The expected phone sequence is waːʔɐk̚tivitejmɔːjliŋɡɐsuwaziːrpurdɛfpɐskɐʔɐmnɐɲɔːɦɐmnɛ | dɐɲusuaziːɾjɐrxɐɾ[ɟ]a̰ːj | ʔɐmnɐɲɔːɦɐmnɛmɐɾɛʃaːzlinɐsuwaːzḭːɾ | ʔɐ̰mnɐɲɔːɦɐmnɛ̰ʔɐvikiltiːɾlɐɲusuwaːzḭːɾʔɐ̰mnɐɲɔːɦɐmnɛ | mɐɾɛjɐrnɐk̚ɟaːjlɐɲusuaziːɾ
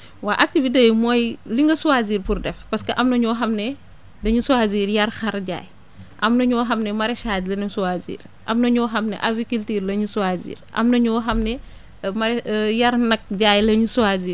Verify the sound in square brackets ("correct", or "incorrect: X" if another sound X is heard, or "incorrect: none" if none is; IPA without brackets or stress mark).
correct